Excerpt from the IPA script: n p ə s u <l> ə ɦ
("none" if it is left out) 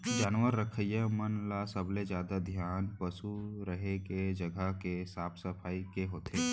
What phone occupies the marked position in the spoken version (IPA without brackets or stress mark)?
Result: ɾ